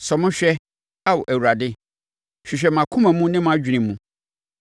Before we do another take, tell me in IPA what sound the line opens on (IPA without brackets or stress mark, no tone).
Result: s